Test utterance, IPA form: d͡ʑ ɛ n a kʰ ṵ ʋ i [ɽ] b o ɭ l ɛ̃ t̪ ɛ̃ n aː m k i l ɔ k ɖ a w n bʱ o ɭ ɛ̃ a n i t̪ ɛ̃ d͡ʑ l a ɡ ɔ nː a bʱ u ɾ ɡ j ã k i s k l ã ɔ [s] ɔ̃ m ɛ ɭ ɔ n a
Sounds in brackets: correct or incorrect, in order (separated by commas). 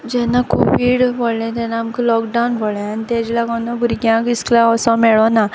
correct, correct